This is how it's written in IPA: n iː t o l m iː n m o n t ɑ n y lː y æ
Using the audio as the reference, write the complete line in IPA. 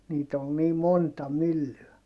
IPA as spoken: n iː t o l n iː m o n t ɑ m y lː y æ